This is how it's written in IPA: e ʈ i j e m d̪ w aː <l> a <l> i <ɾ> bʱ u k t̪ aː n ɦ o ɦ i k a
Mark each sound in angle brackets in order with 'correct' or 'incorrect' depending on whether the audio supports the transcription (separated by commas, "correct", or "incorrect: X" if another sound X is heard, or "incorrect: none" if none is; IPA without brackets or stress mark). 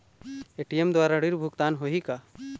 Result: incorrect: ɾ, incorrect: ɽ, correct